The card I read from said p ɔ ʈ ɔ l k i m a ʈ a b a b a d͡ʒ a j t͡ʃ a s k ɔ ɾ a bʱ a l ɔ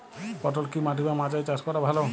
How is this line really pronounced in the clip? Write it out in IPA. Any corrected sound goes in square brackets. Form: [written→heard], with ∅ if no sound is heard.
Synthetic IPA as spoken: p ɔ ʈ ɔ l k i m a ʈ [a→i] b a [b→m] a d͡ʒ a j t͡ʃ a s k ɔ ɾ a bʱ a l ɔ